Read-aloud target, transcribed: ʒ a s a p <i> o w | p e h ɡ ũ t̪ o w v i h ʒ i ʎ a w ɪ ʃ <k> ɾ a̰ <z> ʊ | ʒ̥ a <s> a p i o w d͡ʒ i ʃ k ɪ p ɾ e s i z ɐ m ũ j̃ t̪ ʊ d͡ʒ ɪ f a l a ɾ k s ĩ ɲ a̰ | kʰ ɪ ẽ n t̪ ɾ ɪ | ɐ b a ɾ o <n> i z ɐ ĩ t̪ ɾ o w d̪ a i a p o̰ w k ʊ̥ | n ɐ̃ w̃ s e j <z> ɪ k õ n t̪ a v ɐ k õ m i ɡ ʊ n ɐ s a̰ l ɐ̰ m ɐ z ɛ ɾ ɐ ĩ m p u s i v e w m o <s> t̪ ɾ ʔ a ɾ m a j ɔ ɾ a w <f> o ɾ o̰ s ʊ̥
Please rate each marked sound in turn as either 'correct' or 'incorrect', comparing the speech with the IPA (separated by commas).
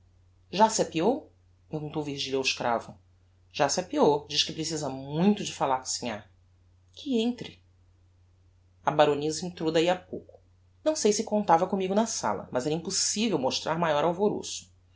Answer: correct, correct, incorrect, correct, correct, incorrect, incorrect, incorrect